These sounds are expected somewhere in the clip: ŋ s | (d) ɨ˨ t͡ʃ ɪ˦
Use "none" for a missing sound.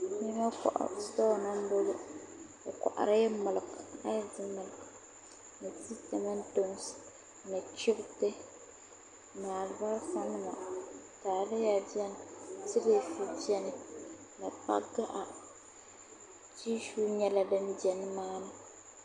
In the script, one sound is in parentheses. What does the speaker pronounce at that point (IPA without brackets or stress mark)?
n